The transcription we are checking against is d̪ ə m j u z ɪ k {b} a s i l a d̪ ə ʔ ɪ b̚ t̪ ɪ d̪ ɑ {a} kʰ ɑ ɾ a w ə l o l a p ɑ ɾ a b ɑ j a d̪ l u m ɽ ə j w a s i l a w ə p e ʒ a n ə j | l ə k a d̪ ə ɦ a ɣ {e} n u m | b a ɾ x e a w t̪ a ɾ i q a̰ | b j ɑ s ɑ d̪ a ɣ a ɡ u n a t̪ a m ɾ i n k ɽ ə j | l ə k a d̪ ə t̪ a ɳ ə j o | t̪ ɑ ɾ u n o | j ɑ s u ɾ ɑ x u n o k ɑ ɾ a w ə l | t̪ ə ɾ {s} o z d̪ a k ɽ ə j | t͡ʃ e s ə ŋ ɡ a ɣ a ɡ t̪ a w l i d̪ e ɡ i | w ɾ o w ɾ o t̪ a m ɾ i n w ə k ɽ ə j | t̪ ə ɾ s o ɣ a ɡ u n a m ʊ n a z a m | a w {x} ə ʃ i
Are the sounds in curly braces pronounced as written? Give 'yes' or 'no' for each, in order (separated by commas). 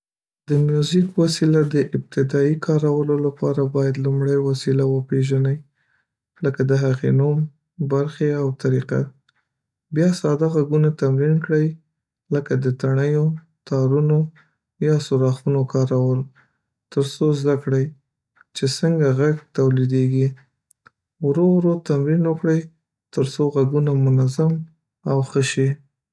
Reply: no, no, yes, yes, yes